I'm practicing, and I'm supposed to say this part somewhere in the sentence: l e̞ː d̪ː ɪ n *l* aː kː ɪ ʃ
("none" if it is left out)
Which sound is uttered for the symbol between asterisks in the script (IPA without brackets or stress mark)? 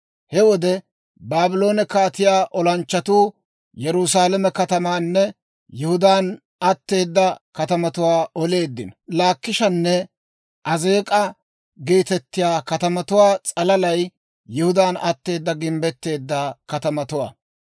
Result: l